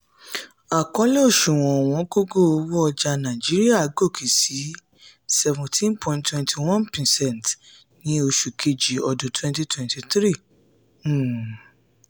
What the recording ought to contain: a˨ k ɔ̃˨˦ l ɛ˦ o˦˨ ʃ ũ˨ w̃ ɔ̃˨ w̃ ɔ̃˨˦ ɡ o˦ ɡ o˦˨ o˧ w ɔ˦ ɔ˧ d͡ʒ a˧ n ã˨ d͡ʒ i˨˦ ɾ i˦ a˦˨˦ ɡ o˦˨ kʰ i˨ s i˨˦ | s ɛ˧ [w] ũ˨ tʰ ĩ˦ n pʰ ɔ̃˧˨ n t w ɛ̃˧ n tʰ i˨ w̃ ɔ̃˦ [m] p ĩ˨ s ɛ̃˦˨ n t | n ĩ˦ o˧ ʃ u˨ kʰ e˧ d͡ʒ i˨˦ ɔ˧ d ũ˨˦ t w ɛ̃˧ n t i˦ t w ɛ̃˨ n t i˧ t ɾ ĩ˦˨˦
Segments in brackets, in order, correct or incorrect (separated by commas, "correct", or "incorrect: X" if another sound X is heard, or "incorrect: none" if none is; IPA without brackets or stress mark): incorrect: v, incorrect: n